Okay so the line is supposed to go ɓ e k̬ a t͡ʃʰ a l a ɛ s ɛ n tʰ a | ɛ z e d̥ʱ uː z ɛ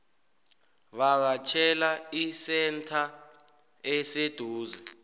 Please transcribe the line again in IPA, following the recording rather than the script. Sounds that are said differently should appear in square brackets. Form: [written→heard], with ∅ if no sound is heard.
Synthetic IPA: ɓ [e→a] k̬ a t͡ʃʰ [a→ɛ] l a [ɛ→i] s ɛ n tʰ a | ɛ [z→s] e d̥ʱ uː z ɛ